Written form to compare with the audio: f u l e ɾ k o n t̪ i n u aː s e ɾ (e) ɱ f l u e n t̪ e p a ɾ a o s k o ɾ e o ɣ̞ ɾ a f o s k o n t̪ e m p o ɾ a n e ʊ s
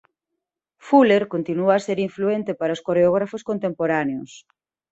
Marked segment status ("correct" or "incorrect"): incorrect